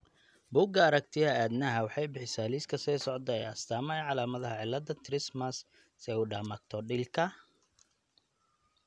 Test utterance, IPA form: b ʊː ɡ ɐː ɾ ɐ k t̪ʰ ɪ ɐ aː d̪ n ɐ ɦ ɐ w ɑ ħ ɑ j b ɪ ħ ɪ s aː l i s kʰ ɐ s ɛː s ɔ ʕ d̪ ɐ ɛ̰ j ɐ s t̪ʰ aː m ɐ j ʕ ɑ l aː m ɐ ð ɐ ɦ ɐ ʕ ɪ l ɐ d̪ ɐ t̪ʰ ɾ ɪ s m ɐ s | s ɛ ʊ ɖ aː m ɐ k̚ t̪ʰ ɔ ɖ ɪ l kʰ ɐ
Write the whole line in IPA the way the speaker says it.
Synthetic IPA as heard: b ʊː ɡ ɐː ɾ ɐ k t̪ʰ ɪ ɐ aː d̪ n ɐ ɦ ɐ w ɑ ħ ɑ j b ɪ ħ ɪ s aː l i s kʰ ɐ s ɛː s ɔ ʕ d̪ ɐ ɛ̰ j ɐ s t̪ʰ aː m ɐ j ʕ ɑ l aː m ɐ ð ɐ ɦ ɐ ʕ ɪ l ɐ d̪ ɐ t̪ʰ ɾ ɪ s m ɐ s | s ɛ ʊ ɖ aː m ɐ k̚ t̪ʰ ɔ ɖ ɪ l kʰ ɐ